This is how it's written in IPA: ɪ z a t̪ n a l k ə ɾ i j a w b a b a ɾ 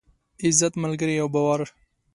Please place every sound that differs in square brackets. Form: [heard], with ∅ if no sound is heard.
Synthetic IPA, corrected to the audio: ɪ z a t̪ [m] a l [ɡ] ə ɾ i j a w b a [w] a ɾ